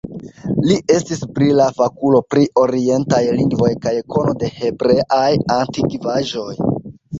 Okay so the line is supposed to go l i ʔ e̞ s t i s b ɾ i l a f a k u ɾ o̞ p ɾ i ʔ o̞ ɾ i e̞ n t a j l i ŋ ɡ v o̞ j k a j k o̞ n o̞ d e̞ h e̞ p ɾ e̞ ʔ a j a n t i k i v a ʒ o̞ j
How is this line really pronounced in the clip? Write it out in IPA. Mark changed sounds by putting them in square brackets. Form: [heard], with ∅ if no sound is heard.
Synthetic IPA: l i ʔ e̞ s t i s b ɾ i l a f a k u [l] o̞ p ɾ i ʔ o̞ ɾ i e̞ n t a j l i ŋ ɡ v o̞ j k a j k o̞ n o̞ d e̞ h e̞ [b] ɾ e̞ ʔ a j a n t i k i v a ʒ o̞ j

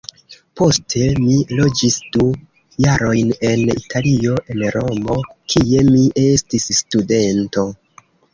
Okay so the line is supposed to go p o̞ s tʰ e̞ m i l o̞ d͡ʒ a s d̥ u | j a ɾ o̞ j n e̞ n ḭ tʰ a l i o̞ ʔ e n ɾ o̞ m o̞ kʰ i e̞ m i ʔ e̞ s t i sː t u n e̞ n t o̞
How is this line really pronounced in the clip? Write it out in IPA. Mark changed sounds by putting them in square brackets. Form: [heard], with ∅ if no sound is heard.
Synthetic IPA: p o̞ s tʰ e̞ m i l o̞ d͡ʒ [i] s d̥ u | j a ɾ o̞ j n e̞ n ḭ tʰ a l i o̞ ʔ e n ɾ o̞ m o̞ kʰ i e̞ m i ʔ e̞ s t i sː t u [d] e̞ n t o̞

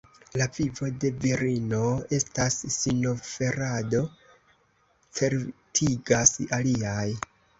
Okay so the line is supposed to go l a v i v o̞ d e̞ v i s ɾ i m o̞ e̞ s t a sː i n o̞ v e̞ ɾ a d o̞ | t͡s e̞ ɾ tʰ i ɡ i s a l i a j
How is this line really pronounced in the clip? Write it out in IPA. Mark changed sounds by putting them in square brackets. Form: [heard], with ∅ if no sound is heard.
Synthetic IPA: l a v i v o̞ d e̞ v i [∅] ɾ i [n] o̞ e̞ s t a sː i n o̞ [f] e̞ ɾ a d o̞ | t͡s e̞ ɾ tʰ i ɡ [a] s a l i a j

